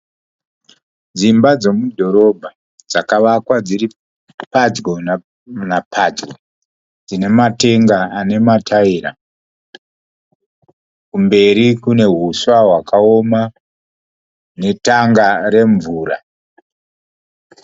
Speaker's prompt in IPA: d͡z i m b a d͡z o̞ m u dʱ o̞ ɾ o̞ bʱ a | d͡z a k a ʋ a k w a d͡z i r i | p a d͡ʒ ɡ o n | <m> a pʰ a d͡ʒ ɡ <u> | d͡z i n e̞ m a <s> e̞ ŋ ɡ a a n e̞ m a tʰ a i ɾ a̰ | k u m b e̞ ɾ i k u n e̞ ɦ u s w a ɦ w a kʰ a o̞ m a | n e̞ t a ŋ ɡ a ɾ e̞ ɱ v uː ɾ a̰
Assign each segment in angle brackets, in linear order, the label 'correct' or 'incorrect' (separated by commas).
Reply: incorrect, incorrect, incorrect